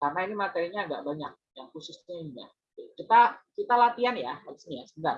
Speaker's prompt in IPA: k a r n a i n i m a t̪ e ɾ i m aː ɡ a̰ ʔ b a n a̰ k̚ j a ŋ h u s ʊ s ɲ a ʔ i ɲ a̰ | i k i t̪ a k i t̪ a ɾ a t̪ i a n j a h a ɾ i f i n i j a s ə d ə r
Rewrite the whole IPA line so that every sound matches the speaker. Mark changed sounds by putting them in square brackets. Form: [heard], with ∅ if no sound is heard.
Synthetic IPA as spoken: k a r n a i n i m a t̪ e ɾ i [ɲ] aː ɡ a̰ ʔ b a [ɲ] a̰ k̚ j a ŋ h u s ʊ s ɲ a [∅] i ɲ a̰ | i k i t̪ a k i t̪ a [l] a t̪ i a n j a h a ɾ i [s] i n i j a s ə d [a] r

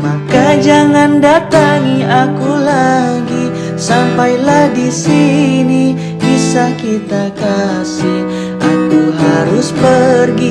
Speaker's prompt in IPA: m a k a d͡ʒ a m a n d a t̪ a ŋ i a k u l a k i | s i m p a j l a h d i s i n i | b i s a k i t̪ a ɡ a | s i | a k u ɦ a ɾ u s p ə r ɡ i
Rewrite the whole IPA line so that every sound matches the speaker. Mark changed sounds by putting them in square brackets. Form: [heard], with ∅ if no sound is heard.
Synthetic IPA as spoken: m a k a d͡ʒ a [ŋ] a n d a t̪ a ŋ i a k u l a [ɡ] i | s [a] m p a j l a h d i s i n i | b i s a k i t̪ a [k] a | s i | a k u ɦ a ɾ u s p ə r ɡ i

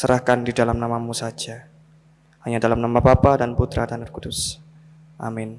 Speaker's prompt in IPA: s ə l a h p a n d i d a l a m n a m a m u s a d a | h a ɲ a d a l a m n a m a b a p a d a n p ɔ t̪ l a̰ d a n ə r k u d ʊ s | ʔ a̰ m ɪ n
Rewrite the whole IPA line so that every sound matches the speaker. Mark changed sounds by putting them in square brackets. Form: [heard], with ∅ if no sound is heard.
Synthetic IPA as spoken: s ə [ɾ] a h [k] a n d i d a l a m n a m a m u s a [d͡ʒ] a | h a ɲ a d a l a m n a m a b a p a d a n p [u] t̪ [ɾ] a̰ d a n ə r k u d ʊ s | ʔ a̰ m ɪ n

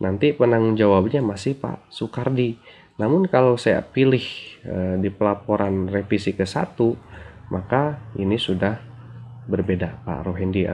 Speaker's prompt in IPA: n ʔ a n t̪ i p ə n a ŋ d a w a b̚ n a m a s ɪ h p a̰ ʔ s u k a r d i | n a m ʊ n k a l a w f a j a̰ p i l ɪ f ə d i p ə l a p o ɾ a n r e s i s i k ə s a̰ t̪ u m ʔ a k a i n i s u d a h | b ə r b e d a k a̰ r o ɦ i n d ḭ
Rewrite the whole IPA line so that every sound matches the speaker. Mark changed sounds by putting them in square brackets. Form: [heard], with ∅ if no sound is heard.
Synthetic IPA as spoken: n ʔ a n t̪ i p ə n a ŋ [d͡ʒ] a w a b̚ [ɲ] a m a s ɪ h p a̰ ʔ s u k a r d i | n a m ʊ n k a l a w [s] a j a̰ p i l ɪ [h] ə d i p ə l a p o ɾ a n r e [f] i s i k ə s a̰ t̪ u m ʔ a k a i n i s u d a h | b ə r b e d a [p] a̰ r o ɦ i n d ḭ

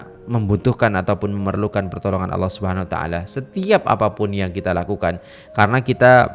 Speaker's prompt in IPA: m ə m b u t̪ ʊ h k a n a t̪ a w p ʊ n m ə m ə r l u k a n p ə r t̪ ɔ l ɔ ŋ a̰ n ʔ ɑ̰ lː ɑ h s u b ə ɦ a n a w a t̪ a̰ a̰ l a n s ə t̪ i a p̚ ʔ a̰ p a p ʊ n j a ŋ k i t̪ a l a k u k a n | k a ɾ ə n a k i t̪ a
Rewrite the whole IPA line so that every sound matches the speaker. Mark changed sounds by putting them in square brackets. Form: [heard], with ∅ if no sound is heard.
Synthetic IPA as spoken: m ə m b u t̪ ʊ h k a n a t̪ a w p ʊ n m ə m ə r l u k a n p ə r t̪ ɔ l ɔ ŋ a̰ n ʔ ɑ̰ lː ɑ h s u b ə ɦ a n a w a t̪ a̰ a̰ l a [∅] s ə t̪ i a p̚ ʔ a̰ p a p ʊ n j a ŋ k i t̪ a l a k u k a n | k a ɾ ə n a k i t̪ a

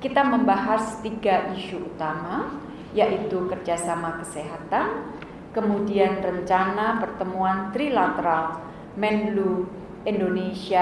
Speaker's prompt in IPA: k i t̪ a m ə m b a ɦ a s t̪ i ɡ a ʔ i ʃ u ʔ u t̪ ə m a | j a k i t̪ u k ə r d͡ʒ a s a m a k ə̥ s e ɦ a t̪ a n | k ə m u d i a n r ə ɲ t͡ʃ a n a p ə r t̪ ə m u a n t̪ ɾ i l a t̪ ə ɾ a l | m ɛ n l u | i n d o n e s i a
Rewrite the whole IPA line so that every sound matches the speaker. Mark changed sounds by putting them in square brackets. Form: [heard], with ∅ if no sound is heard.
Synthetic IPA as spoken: k i t̪ a m ə m b a ɦ a s t̪ i ɡ a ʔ i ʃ u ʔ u t̪ [a] m a | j a [ʔ] i t̪ u k ə r d͡ʒ a s a m a k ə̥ s e ɦ a t̪ a n | k ə m u d i a n r ə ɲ t͡ʃ a n a p ə r t̪ ə m u a n t̪ ɾ i l a t̪ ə ɾ a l | m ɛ n l u | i n d o n e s i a

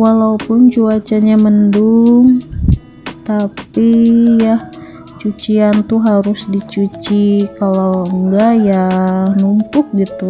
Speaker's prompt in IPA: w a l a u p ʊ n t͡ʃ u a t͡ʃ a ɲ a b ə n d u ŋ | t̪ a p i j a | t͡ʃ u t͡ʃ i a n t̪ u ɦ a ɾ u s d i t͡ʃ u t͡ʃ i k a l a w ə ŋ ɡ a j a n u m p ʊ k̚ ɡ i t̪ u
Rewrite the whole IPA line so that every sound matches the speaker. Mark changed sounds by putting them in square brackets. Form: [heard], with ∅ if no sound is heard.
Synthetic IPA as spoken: w a l a u p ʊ n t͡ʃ u a t͡ʃ a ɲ a [m] ə n d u ŋ | t̪ a p i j a | t͡ʃ u t͡ʃ i a n t̪ u ɦ a ɾ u s d i t͡ʃ u t͡ʃ i k a l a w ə ŋ ɡ a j a n u m p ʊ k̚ ɡ i t̪ u

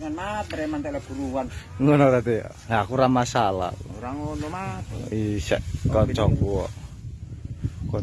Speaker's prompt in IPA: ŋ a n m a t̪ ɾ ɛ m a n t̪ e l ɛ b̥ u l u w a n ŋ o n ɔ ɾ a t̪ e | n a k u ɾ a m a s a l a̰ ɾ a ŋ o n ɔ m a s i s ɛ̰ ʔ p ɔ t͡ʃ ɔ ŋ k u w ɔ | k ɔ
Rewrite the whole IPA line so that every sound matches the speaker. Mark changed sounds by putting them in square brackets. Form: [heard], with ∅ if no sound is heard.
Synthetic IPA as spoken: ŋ a n m a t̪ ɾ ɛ m a n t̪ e l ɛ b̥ u [ɾ] u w a n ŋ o n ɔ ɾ a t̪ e | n a k u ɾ a m a s a l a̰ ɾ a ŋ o n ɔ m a [∅] i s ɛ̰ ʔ [k] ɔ t͡ʃ ɔ ŋ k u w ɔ | k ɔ

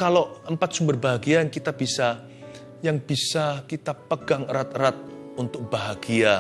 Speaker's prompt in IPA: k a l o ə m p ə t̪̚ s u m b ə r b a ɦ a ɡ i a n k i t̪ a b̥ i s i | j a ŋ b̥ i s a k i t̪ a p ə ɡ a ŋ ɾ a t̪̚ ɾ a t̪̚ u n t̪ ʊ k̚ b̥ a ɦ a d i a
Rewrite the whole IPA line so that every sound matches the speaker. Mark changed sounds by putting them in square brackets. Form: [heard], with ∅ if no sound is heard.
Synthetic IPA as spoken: k a l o ə m p [a] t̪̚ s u m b ə r b a ɦ a ɡ i a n k i t̪ a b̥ i s [a] | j a ŋ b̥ i s a k i t̪ a p ə ɡ a ŋ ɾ a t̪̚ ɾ a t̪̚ u n t̪ ʊ k̚ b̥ a ɦ a [ɡ] i a

